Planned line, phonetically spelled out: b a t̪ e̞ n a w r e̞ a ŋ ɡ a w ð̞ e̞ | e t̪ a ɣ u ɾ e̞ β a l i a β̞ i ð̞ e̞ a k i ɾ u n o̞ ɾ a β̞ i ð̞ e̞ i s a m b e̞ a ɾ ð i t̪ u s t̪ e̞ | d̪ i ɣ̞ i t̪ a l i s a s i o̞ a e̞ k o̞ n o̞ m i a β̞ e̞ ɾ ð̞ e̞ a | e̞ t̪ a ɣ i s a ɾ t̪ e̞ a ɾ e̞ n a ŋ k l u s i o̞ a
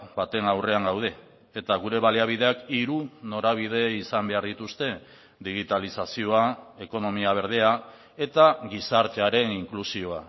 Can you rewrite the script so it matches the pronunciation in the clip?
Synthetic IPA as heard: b a t̪ e̞ n a w r e̞ a ŋ ɡ a w ð̞ e̞ | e t̪ a ɣ u ɾ e̞ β a l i a β̞ i ð̞ e̞ a k i ɾ u n o̞ ɾ a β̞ i ð̞ e̞ i s a m b e̞ a ɾ ð i t̪ u s t̪ e̞ | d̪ i ɣ̞ i t̪ a l i s a s i o̞ a e̞ k o̞ n o̞ m i a β̞ e̞ ɾ ð̞ e̞ a | e̞ t̪ a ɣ i s a ɾ t̪ e̞ a ɾ e̞ n i ŋ k l u s i o̞ a